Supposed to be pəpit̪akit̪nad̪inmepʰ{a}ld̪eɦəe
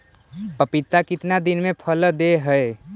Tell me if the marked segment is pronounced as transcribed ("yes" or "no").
no